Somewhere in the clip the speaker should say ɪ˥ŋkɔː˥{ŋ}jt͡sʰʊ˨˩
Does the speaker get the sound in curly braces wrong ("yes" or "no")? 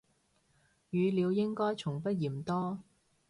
yes